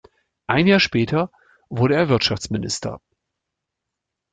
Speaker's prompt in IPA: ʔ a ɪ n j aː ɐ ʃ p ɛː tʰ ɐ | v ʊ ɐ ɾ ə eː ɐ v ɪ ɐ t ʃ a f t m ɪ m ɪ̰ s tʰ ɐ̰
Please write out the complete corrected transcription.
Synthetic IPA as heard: ʔ a ɪ n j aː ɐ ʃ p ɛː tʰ ɐ | v ʊ ɐ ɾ ə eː ɐ v ɪ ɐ t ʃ a f t͡s m ɪ n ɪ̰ s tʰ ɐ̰